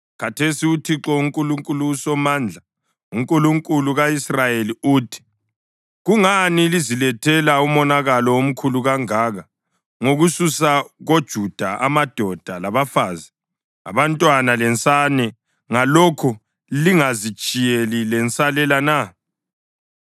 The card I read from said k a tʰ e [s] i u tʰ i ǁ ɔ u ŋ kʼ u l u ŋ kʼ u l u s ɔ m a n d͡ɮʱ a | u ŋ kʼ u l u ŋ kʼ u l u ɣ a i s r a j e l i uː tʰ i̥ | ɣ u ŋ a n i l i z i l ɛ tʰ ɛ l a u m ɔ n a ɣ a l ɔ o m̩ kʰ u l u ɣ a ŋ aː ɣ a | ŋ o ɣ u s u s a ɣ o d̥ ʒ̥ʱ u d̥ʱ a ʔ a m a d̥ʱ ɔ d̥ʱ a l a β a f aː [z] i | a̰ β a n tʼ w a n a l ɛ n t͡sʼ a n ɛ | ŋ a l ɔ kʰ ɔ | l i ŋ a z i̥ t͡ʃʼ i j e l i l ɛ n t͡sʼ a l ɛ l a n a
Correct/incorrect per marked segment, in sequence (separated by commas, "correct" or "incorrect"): correct, correct